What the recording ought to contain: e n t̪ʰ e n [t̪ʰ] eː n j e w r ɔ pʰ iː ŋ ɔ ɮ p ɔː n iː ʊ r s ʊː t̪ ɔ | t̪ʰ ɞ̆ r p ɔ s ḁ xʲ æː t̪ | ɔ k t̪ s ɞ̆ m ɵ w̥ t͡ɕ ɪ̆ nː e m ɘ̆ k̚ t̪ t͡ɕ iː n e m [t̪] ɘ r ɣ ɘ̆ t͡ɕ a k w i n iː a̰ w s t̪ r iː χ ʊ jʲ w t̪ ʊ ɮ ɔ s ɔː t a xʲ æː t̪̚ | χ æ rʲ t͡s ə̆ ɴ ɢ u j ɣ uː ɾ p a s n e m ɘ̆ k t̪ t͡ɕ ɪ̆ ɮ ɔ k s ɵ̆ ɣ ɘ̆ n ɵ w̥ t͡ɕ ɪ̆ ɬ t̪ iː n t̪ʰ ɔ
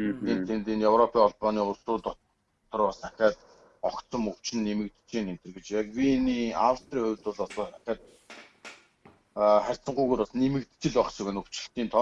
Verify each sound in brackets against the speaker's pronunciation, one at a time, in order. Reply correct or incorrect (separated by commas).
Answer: incorrect, correct